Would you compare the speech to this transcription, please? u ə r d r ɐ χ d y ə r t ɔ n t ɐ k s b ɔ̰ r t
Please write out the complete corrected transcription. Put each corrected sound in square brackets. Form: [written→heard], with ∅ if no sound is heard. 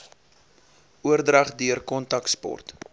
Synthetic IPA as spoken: u ə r d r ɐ χ d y ə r [t→k] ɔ n t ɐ k s [b→p] ɔ̰ r t